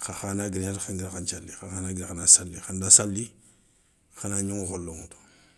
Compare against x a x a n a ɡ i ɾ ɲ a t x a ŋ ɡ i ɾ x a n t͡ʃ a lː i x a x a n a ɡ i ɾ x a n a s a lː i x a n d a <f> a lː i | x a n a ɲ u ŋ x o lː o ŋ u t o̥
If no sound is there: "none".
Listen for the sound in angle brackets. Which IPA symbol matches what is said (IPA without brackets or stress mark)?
s